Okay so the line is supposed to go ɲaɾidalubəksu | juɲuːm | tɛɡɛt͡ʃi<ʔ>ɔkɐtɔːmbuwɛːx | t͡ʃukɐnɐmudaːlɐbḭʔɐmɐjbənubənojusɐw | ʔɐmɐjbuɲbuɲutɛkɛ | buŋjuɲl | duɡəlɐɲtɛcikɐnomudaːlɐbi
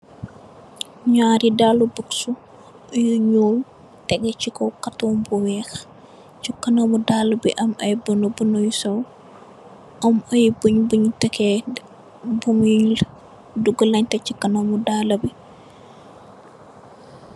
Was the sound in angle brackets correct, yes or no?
no